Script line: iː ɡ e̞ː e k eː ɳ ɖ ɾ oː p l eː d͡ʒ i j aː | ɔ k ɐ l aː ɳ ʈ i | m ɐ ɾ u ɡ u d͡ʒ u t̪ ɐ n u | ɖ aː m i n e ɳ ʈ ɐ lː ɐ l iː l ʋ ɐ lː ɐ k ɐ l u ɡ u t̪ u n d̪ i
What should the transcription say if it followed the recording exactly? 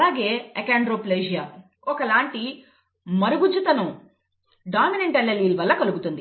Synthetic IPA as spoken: aː ɡ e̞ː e k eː ɳ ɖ ɾ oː p l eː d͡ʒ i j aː | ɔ k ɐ l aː ɳ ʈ i | m ɐ ɾ u ɡ u d͡ʒ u t̪ ɐ n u | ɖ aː m i n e ɳ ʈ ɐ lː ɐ l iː l ʋ ɐ lː ɐ k ɐ l u ɡ u t̪ u n d̪ i